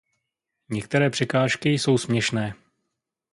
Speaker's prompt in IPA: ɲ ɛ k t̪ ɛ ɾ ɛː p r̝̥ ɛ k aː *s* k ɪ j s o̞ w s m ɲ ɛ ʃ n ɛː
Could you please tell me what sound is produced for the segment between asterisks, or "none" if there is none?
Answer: ʃ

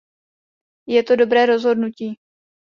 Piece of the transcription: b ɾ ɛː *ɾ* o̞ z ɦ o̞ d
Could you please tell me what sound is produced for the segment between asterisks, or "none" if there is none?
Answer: ɾ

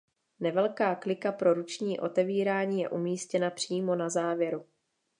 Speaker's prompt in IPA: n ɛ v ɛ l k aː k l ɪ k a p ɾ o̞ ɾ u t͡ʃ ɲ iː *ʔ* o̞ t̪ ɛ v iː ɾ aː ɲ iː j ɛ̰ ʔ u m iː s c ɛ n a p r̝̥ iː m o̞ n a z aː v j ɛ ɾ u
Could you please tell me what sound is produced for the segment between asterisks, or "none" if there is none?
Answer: ʔ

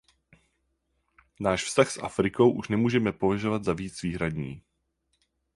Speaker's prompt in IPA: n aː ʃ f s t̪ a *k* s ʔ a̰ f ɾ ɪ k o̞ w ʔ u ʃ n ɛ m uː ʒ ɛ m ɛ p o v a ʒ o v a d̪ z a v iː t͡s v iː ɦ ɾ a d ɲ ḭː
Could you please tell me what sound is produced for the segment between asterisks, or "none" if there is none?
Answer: x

